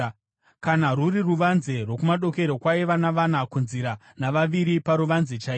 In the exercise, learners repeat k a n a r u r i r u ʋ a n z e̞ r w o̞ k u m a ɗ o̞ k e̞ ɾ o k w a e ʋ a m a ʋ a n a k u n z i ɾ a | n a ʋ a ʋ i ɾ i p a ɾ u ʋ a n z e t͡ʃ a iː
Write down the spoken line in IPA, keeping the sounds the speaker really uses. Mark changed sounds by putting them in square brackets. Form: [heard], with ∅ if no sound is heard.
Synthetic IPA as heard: k a n a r u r i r u ʋ a n z e̞ r w o̞ k u m a ɗ o̞ k e̞ ɾ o k w a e ʋ a [n] a ʋ a n a k u n z i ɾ a | n a ʋ a ʋ i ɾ i p a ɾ u ʋ a n z e t͡ʃ a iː